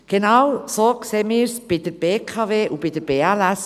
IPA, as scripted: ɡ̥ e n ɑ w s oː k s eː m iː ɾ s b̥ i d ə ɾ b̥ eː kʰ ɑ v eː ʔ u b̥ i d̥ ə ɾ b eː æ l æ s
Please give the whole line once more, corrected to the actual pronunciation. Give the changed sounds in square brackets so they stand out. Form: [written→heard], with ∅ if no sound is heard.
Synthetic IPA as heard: ɡ̥ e n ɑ w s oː k s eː m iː ɾ s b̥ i d ə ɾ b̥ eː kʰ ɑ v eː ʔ u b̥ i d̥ ə ɾ b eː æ l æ s